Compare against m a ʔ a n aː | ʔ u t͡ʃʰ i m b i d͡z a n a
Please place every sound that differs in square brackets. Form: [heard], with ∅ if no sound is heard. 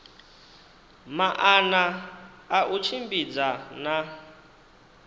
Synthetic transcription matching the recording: m a ʔ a n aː | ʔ u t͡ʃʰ i m b i d͡z a n a